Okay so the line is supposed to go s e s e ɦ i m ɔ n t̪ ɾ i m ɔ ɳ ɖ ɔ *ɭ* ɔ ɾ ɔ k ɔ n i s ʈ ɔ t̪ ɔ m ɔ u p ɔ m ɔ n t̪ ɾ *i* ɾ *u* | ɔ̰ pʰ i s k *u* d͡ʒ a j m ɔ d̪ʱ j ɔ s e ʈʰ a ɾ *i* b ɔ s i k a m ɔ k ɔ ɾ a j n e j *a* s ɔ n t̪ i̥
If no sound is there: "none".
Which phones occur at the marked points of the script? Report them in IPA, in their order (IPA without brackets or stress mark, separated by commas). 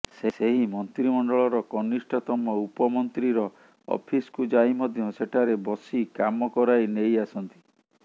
ɭ, i, ɔ, u, e, a